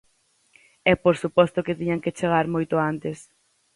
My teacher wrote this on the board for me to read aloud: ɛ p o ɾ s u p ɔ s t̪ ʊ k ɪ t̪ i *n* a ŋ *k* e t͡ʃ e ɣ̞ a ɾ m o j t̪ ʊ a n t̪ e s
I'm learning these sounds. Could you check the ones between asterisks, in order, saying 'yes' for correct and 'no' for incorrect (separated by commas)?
no, yes